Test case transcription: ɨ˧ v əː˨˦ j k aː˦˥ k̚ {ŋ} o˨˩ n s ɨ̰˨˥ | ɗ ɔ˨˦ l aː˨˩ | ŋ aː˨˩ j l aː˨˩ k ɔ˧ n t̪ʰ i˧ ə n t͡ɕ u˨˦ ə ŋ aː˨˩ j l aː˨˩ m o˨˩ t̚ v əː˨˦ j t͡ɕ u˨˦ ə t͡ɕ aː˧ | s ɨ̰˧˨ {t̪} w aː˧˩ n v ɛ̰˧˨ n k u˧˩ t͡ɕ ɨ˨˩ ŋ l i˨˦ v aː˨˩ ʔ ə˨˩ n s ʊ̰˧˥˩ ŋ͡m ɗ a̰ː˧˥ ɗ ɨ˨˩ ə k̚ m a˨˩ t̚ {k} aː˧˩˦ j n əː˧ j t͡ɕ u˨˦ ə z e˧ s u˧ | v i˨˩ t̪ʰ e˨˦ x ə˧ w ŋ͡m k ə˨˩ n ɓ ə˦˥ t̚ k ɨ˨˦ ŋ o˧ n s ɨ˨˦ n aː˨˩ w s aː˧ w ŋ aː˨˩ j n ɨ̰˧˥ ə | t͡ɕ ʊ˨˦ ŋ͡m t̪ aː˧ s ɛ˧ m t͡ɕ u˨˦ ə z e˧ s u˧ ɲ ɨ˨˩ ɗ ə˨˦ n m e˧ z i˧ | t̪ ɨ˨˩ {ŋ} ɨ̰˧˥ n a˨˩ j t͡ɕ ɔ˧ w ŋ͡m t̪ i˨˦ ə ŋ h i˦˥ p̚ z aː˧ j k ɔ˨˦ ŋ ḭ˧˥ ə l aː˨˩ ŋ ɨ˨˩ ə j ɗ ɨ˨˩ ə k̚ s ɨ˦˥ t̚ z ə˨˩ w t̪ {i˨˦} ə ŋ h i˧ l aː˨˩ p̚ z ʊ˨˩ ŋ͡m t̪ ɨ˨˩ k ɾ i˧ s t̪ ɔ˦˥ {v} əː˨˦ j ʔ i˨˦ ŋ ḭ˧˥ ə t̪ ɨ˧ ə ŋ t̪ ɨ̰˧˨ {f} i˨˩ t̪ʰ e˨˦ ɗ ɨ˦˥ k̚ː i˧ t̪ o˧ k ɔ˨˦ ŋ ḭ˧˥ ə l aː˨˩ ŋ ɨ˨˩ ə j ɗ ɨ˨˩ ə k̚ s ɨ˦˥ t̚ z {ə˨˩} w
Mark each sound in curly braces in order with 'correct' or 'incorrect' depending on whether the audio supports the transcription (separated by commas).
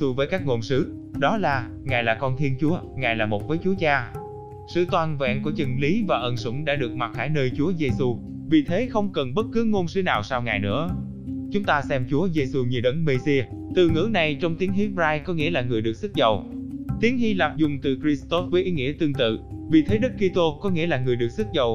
correct, correct, incorrect, correct, correct, correct, incorrect, correct